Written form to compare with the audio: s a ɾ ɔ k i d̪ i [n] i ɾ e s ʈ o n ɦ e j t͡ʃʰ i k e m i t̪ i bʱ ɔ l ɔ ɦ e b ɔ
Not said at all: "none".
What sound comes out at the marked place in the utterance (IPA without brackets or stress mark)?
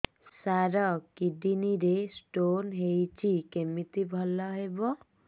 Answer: n